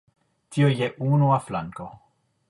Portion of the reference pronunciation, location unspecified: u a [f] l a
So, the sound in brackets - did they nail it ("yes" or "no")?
yes